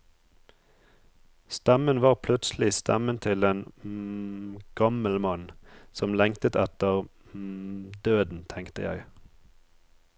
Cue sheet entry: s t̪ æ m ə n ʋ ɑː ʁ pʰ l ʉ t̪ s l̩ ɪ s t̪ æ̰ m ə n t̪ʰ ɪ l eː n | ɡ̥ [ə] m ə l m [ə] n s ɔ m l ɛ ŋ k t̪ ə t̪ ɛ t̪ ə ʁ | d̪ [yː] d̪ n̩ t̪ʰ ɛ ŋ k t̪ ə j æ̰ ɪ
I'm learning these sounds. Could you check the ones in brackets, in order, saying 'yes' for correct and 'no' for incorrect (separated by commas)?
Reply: no, no, no